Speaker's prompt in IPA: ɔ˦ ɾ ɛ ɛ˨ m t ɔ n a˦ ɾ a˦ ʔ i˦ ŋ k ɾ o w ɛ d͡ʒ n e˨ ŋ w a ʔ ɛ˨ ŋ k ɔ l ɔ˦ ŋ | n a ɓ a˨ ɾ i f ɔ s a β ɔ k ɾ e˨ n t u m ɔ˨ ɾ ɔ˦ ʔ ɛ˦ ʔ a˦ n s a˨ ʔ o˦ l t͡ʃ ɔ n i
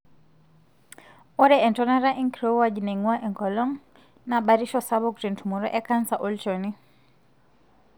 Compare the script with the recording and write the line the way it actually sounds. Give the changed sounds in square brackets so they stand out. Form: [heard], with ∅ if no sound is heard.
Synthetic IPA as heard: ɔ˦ ɾ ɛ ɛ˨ [n] t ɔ n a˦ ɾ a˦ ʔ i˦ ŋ k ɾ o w [a] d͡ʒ n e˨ ŋ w a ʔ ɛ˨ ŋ k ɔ l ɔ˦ ŋ | n a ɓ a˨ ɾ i [ʃ] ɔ s a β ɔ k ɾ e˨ n t u m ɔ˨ ɾ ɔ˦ ʔ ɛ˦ [k] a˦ n s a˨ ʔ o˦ l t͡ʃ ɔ n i